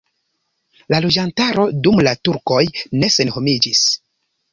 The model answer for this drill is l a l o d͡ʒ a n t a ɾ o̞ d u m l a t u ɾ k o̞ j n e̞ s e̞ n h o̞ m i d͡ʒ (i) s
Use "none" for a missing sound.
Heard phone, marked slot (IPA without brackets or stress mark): i